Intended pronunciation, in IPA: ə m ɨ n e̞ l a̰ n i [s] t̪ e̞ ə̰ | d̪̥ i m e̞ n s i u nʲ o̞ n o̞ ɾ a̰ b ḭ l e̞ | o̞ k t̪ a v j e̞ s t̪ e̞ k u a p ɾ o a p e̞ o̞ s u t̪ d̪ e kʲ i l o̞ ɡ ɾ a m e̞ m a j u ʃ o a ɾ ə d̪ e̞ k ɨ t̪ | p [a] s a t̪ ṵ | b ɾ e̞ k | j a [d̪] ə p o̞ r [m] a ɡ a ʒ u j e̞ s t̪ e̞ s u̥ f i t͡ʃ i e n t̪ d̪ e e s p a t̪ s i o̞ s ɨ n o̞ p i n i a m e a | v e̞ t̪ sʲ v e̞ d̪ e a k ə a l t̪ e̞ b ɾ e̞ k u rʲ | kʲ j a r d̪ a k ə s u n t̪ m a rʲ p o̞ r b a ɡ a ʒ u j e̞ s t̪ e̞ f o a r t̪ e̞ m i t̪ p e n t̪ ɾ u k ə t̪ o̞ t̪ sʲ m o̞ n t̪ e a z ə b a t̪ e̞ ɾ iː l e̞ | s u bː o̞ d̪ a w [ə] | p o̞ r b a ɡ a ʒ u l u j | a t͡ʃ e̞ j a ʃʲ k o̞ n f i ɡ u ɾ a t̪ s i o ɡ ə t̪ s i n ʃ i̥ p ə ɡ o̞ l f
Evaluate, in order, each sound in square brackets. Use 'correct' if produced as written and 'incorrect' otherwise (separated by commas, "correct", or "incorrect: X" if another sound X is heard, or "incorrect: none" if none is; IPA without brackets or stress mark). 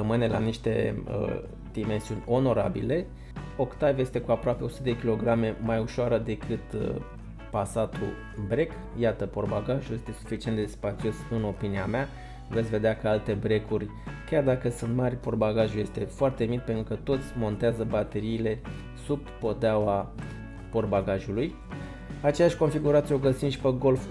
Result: incorrect: ʃ, correct, incorrect: t̪, incorrect: b, incorrect: a